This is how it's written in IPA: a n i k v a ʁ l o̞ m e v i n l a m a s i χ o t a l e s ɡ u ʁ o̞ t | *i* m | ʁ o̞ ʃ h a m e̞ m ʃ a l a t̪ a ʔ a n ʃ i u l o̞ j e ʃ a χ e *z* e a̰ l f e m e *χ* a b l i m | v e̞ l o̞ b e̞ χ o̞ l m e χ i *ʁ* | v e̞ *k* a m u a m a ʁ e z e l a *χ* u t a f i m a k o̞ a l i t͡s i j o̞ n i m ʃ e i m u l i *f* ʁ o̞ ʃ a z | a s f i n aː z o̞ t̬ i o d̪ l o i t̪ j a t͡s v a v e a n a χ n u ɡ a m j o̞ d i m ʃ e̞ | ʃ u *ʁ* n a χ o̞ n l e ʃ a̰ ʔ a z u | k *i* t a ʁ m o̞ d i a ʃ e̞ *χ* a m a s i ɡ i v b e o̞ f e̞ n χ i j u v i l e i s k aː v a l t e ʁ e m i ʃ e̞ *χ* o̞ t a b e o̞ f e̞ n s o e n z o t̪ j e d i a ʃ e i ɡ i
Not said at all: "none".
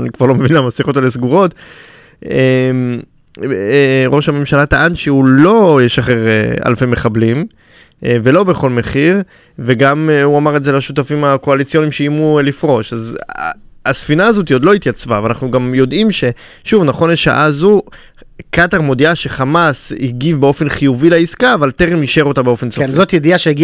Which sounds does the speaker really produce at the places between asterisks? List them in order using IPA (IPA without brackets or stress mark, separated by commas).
e, ʁ, χ, ʁ, ɡ, ʃ, f, v, a, χ, ʁ